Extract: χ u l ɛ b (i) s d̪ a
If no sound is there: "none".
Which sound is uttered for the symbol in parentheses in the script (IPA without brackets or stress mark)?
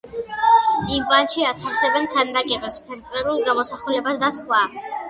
a